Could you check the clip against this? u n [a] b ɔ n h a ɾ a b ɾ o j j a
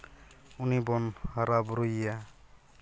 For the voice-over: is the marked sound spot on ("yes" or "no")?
no